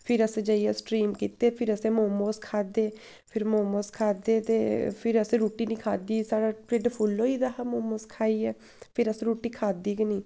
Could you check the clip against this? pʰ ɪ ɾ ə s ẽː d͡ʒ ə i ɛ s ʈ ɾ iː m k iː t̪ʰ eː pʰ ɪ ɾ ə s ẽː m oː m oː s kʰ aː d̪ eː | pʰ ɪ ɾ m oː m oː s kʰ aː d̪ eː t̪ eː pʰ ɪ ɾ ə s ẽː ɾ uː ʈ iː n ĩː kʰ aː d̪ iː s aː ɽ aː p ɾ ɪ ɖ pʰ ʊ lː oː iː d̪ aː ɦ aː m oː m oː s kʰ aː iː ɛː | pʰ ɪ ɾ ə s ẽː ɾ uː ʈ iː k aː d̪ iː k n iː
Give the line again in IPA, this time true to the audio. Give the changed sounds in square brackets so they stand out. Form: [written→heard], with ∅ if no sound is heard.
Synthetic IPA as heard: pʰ ɪ ɾ ə s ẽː d͡ʒ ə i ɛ s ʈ ɾ iː m k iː [t̪ʰ→t̪] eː pʰ ɪ ɾ ə s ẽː m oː m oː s kʰ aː d̪ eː | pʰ ɪ ɾ m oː m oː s kʰ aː d̪ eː t̪ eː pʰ ɪ ɾ ə s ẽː ɾ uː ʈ iː n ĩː kʰ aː d̪ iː s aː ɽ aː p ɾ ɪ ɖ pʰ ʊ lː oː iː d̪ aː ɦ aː m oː m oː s kʰ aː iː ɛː | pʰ ɪ ɾ ə s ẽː ɾ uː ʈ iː [k→kʰ] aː d̪ iː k n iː